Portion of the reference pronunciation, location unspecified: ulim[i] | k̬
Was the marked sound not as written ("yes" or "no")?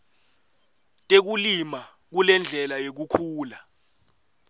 yes